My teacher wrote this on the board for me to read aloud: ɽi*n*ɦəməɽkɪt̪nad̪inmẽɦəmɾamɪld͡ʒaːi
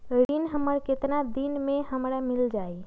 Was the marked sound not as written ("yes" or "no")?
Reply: no